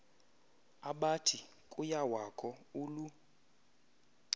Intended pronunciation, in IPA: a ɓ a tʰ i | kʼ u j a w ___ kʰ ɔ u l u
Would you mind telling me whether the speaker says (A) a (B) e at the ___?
A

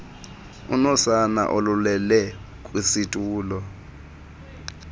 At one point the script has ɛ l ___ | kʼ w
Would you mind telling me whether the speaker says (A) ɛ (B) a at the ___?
A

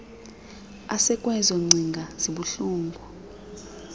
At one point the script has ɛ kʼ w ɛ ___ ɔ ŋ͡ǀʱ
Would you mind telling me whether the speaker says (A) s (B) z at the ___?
B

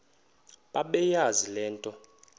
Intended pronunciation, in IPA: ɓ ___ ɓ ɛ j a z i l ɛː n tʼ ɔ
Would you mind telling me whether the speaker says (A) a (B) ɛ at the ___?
A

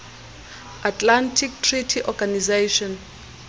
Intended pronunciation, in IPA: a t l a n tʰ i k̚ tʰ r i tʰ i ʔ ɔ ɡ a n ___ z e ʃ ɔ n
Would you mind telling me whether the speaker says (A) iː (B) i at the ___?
B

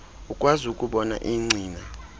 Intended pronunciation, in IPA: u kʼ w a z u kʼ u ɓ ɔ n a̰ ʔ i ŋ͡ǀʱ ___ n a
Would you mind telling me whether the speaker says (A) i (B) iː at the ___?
B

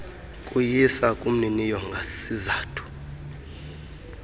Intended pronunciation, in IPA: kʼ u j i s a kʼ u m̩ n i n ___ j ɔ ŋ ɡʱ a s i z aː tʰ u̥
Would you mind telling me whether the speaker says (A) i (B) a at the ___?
A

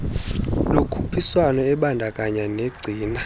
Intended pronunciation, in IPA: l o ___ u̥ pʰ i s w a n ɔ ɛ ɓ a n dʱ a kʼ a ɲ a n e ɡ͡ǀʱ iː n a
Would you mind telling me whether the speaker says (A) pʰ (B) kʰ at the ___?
B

